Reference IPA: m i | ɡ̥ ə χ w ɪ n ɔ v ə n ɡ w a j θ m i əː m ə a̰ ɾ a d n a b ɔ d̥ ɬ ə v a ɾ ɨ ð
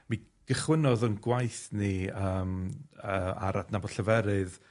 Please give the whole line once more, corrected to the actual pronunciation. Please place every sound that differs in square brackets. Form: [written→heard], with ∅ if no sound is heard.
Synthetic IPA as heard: m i | ɡ̥ ə χ w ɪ n ɔ [v→ð] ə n ɡ w a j θ [m→n] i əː m ə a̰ ɾ a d n a b ɔ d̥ ɬ ə v [a→ɛ] ɾ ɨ ð